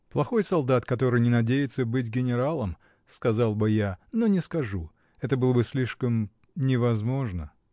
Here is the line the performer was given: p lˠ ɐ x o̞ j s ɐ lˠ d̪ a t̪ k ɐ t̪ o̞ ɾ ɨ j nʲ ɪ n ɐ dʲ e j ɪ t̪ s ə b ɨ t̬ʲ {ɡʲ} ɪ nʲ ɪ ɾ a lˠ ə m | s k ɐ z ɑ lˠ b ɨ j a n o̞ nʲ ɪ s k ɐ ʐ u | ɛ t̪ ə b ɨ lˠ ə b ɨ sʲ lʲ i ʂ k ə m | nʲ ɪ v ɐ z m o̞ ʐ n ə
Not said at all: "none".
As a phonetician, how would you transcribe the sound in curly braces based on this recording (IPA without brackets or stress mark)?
ɡʲ